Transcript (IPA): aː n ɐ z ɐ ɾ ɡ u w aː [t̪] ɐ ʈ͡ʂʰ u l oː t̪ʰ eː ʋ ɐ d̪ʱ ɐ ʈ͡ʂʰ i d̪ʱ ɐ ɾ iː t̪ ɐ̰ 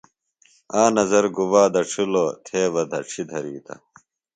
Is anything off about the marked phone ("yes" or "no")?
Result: yes